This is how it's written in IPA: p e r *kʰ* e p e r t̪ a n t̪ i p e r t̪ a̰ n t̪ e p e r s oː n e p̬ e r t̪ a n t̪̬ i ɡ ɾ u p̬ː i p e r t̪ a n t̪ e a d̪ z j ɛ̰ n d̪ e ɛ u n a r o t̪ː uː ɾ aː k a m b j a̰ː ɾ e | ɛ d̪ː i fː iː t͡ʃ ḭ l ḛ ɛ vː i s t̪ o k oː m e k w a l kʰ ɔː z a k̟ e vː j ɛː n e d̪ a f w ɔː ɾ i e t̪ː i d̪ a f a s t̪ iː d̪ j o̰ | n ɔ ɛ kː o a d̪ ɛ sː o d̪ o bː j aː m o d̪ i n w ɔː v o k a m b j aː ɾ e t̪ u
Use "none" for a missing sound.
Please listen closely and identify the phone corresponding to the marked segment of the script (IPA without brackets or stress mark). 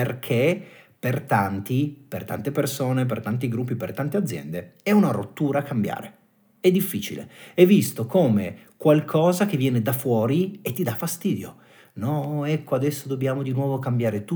kʰ